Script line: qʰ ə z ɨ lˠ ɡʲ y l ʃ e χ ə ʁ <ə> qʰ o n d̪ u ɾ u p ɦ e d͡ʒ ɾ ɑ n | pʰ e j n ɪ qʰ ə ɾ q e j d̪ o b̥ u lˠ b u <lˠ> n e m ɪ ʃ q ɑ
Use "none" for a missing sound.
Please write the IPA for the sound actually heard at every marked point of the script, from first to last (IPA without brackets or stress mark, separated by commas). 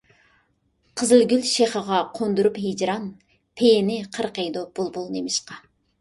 ɑ, lˠ